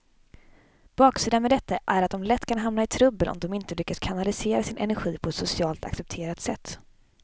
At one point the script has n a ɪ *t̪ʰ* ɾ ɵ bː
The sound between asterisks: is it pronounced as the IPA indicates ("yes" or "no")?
yes